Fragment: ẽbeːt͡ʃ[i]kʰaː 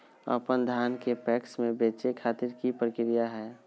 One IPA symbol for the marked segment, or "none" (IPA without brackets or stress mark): e